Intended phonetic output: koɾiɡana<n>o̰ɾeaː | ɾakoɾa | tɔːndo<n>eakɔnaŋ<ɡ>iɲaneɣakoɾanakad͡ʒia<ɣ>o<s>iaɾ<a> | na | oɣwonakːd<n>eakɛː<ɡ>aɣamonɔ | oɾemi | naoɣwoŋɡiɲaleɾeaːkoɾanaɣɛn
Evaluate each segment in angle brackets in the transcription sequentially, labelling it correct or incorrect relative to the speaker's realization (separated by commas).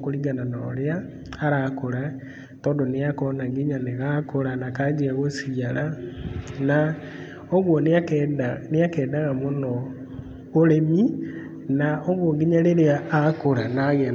correct, correct, correct, correct, correct, correct, correct, incorrect